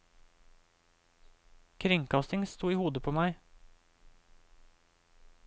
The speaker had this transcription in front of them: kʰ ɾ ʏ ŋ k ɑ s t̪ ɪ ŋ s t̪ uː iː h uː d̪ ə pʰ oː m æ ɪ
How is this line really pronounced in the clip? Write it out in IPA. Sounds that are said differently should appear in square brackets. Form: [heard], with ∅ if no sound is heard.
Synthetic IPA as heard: kʰ ɾ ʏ ŋ k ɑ s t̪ ɪ ŋ s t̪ uː iː h uː d̪ ə pʰ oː m æ ɪ

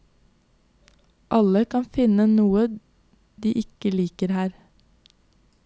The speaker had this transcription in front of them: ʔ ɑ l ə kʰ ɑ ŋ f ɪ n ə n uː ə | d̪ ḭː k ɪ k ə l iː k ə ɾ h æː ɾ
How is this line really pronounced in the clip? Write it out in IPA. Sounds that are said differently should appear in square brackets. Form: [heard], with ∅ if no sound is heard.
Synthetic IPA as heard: ʔ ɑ l ə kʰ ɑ [n] f ɪ n ə n uː ə | d̪ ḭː [ʔ] ɪ k ə l iː k ə ɾ h æː ɾ

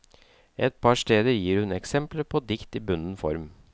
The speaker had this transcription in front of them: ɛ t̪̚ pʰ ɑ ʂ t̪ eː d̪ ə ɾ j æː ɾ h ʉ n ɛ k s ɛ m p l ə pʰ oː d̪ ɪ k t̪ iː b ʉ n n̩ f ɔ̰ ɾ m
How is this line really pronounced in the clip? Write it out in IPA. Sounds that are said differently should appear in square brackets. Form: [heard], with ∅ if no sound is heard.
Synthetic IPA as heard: ɛ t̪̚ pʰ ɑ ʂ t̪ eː d̪ ə ɾ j [iː] ɾ h ʉ n ɛ k s ɛ m p l ə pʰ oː d̪ ɪ k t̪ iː b ʉ n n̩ f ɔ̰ ɾ m

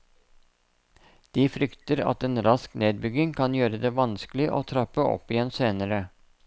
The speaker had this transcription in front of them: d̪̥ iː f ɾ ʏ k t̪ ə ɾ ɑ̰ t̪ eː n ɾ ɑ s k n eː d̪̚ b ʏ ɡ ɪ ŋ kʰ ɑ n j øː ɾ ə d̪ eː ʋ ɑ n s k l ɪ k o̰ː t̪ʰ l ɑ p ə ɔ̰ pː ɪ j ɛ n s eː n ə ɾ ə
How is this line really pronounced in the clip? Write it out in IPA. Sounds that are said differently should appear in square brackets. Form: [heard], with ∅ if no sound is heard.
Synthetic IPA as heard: d̪̥ iː f ɾ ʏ k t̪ ə ɾ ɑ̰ t̪ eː n ɾ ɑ s k n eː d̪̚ b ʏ ɡ ɪ ŋ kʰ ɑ n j øː ɾ ə d̪ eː ʋ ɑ n s k l ɪ [ʔ] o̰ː t̪ʰ [ɾ] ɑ p ə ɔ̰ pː ɪ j ɛ n s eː n ə ɾ ə

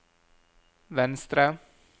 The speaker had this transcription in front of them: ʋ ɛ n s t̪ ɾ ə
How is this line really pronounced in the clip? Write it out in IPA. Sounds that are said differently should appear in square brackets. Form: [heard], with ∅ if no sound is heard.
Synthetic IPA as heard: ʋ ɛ n s t̪ ɾ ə

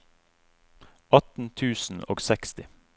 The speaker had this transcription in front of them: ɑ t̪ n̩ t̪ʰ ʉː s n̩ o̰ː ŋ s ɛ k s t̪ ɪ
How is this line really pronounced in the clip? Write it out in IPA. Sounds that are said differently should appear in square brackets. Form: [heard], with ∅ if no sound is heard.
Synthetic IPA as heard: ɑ t̪ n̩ t̪ʰ ʉː s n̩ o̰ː [ɡ] s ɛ k s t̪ ɪ

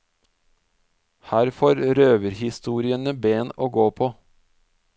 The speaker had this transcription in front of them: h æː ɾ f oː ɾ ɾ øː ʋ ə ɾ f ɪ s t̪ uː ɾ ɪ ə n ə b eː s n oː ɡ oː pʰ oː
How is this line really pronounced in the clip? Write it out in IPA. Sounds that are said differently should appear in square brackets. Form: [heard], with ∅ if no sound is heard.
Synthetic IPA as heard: h æː ɾ f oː ɾ ɾ øː ʋ ə ɾ [h] ɪ s t̪ uː ɾ ɪ ə n ə b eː [∅] n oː ɡ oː pʰ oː

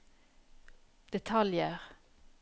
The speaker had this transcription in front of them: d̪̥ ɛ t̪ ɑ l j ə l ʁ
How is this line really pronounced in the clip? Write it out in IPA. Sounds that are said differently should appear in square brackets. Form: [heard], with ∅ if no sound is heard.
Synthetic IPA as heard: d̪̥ ɛ [t̪ʰ] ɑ l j ə [∅] ʁ

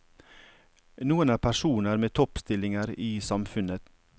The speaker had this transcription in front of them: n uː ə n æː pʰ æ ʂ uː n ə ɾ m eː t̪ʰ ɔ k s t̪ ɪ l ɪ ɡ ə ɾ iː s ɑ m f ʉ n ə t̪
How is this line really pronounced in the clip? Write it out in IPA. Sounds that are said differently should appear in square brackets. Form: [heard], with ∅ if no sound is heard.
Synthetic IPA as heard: n uː ə n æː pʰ æ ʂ uː n ə ɾ m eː t̪ʰ ɔ [p] s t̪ ɪ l ɪ [ŋ] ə ɾ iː s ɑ m f ʉ n ə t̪

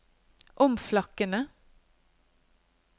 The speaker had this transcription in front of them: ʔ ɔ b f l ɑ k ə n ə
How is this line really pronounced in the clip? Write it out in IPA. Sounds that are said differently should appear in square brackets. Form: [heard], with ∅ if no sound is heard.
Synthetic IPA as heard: ʔ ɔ [m] f l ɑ k ə n ə

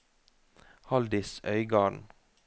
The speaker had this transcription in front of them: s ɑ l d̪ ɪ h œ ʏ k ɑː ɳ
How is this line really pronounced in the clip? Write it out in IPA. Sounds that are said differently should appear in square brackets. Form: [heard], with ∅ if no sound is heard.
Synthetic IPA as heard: [h] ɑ l d̪ ɪ [s] œ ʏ [ɡ] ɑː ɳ

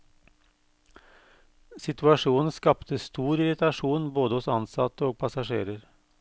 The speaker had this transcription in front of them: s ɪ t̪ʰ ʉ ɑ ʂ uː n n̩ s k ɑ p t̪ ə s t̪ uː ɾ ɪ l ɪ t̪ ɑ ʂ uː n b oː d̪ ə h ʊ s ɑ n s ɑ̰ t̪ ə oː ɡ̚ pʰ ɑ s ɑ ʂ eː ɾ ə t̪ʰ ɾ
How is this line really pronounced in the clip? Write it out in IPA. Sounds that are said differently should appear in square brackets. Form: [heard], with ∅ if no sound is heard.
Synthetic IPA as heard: s ɪ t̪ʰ ʉ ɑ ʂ uː n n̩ s k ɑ p t̪ ə s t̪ uː ɾ ɪ [ɾ] ɪ t̪ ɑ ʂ uː n b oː d̪ ə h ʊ s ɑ n s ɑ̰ t̪ ə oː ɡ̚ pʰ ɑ s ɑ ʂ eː ɾ ə [∅] ɾ

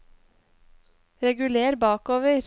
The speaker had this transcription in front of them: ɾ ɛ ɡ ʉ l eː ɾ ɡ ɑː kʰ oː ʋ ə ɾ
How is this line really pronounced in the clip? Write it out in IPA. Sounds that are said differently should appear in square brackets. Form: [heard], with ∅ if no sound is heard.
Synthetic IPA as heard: ɾ ɛ ɡ ʉ l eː ɾ [b] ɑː [k] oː ʋ ə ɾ

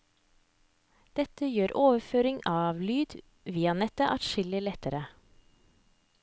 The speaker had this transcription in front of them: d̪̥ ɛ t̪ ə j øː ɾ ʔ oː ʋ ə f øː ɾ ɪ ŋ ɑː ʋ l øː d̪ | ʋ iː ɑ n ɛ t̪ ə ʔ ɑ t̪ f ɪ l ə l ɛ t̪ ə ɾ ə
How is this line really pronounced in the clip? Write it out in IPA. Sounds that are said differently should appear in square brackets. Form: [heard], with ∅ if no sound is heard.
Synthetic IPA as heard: d̪̥ ɛ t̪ ə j øː ɾ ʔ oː ʋ ə f øː ɾ ɪ ŋ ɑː ʋ l [yː] d̪ | ʋ iː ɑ n ɛ t̪ ə ʔ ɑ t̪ [ʃ] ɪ l ə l ɛ t̪ ə ɾ ə

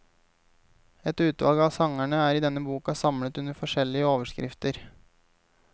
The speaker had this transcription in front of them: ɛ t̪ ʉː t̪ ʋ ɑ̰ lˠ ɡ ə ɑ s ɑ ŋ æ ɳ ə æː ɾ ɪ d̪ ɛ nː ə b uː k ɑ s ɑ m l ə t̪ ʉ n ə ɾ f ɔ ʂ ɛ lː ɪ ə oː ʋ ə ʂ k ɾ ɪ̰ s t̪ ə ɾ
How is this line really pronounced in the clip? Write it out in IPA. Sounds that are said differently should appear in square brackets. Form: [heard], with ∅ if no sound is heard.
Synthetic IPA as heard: ɛ t̪ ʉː t̪ ʋ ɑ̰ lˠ ɡ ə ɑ s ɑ ŋ æ ɳ ə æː ɾ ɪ d̪ ɛ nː ə b uː k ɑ s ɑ m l ə t̪ ʉ n ə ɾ f ɔ ʂ ɛ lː ɪ ə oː ʋ ə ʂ k ɾ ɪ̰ [f] t̪ ə ɾ

